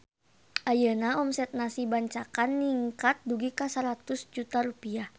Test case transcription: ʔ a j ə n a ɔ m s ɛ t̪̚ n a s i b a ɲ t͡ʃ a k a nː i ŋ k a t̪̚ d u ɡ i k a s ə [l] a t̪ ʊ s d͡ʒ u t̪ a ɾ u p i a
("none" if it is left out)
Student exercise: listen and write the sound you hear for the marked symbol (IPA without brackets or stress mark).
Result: ɾ